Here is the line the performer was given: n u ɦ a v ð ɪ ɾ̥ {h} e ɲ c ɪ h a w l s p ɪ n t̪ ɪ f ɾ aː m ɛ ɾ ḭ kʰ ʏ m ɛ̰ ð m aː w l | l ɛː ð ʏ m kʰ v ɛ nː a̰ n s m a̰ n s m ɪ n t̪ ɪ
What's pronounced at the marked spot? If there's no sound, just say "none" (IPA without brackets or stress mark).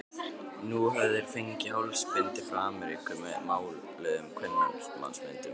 f